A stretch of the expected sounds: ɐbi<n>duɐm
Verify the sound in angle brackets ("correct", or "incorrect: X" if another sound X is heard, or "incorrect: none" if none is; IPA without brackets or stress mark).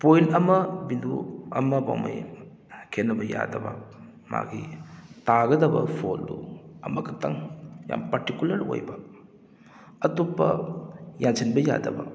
correct